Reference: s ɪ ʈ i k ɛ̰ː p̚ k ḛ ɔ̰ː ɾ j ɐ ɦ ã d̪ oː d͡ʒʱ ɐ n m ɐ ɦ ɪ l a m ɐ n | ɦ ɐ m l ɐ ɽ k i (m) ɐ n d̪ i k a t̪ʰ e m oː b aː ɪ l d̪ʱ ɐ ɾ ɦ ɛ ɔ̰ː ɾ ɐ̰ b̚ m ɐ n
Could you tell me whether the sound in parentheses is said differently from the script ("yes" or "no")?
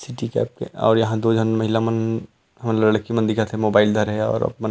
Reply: no